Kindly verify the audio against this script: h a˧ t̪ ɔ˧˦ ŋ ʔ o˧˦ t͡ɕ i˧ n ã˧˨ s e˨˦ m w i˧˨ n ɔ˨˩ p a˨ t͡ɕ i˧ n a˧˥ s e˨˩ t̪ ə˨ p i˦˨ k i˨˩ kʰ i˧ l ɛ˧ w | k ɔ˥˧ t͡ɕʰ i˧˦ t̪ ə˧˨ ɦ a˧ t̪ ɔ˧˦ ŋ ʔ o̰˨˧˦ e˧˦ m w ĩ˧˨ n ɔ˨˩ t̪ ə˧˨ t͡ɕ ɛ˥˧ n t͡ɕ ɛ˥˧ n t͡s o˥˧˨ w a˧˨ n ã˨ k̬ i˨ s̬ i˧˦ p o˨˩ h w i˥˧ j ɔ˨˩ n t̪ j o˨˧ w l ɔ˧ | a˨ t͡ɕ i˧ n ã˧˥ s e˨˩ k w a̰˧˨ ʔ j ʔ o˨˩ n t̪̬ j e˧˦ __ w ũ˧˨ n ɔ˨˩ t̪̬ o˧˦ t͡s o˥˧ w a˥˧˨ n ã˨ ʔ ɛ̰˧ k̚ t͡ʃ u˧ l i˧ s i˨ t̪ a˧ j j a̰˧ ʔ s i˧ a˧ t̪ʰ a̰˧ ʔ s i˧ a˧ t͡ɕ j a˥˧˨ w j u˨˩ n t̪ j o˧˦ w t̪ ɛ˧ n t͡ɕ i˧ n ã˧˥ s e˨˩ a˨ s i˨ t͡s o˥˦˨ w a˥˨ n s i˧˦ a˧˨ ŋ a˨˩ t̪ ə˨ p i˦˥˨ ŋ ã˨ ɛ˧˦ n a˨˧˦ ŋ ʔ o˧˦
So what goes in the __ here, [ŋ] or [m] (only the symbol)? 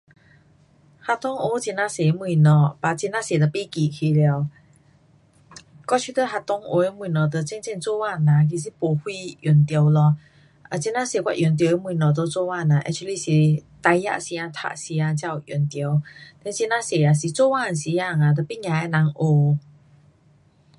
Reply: m